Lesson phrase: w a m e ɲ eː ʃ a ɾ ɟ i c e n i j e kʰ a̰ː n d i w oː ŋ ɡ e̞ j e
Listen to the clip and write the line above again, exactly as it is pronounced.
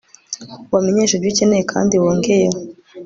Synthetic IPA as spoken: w a m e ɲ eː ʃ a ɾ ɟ i c e n e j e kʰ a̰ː n d i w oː ŋ ɡ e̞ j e